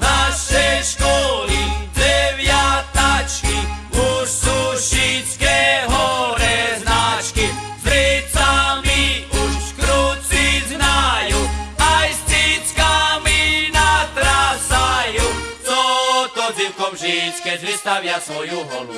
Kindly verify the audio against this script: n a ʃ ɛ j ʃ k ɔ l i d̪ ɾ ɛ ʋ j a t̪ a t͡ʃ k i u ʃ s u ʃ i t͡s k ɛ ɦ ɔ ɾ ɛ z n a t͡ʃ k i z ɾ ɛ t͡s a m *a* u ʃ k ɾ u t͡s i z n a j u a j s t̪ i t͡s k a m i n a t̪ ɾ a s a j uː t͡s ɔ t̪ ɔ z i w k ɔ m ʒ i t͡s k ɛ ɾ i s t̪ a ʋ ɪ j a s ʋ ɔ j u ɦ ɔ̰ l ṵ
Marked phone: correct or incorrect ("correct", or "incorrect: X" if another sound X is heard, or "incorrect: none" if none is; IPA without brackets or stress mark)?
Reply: incorrect: i